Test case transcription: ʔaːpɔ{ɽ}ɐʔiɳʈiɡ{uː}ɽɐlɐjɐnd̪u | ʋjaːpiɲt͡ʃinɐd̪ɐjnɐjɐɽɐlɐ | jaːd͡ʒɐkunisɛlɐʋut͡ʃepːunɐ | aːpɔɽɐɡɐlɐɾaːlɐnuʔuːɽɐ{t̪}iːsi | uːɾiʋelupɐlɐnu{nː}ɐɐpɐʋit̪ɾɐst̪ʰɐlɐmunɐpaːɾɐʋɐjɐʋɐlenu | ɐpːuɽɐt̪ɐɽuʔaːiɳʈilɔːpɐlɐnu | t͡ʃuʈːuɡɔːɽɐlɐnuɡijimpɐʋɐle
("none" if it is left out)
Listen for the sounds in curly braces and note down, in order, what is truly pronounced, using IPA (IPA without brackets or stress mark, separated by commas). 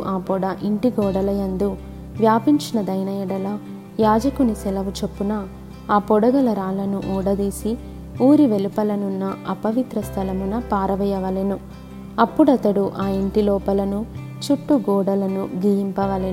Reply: ɽ, ɔː, d̪, nː